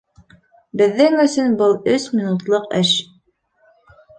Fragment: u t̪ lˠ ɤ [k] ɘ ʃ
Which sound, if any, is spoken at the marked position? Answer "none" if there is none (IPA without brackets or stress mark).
q